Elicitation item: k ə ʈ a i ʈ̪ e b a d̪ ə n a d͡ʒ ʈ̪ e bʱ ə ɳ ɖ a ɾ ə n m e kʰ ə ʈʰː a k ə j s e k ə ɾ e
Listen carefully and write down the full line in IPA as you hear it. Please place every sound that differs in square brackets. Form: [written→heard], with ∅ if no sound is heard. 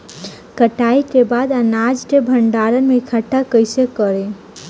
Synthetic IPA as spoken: k ə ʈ a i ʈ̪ e b a d̪ [ə→a] n a d͡ʒ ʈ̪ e bʱ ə ɳ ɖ a ɾ ə n m e kʰ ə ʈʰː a k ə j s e k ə ɾ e